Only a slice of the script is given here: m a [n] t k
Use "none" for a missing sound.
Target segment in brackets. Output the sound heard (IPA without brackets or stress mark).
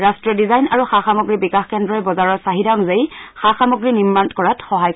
n